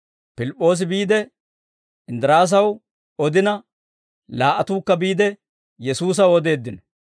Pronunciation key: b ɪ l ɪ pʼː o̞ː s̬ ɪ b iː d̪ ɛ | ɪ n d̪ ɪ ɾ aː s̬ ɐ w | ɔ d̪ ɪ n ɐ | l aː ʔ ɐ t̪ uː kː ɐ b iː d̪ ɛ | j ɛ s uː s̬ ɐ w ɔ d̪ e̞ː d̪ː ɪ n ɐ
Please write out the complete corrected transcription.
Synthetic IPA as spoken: p ɪ l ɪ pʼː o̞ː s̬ ɪ b iː d̪ ɛ | ɪ n d̪ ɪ ɾ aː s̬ ɐ w | ɔ d̪ ɪ n ɐ | l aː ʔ ɐ t̪ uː kː ɐ b iː d̪ ɛ | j ɛ s uː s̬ ɐ w ɔ d̪ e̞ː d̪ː ɪ n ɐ